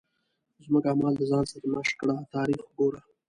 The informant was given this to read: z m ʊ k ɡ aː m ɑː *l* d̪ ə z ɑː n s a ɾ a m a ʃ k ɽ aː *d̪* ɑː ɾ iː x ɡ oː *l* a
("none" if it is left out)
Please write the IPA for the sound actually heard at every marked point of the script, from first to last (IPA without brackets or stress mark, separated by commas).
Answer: l, t̪, ɾ